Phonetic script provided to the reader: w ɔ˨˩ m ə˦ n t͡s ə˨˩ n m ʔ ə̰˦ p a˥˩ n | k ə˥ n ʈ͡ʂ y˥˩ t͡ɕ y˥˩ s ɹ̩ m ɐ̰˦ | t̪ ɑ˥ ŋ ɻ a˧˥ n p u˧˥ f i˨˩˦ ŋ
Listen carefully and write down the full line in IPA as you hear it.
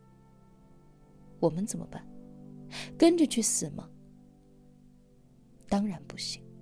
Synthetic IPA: w ɔ˨˩ m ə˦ n t͡s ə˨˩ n m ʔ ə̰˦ p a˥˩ n | k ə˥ n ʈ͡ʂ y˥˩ t͡ɕʰ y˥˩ s ɹ̩ m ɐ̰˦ | t̪ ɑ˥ ŋ ɻ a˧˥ n p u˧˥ ɕ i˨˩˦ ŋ